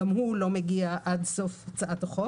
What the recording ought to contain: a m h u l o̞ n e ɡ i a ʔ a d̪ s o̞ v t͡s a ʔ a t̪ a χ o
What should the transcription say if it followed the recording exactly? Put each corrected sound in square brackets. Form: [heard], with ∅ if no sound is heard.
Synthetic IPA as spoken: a m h u l o̞ [m] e ɡ i a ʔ a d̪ s o̞ [f] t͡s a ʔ a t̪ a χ o